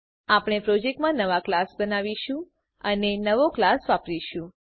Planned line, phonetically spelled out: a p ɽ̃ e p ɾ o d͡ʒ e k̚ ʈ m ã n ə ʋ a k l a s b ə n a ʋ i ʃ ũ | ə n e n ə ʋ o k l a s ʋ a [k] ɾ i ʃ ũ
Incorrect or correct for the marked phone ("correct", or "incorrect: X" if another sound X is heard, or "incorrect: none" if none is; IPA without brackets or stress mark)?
incorrect: p